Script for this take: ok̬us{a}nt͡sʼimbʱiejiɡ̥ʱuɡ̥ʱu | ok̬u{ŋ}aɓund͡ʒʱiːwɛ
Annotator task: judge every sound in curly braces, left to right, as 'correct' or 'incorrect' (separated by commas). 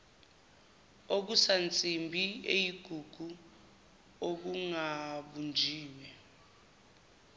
correct, correct